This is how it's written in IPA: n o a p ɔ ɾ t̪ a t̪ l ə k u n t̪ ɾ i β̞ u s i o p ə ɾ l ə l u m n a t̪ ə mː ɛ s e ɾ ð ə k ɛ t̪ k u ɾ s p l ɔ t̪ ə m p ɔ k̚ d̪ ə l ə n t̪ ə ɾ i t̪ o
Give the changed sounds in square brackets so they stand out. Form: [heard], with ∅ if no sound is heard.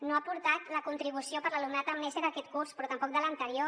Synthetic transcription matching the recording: n o a p [u] ɾ t̪ a t̪ l ə k u n t̪ ɾ i β̞ u s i o p ə ɾ l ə l u m n a t̪ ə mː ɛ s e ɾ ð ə k ɛ t̪ k u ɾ s p [ɾ] ɔ t̪ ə m p ɔ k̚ d̪ ə l ə n t̪ ə ɾ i [∅] o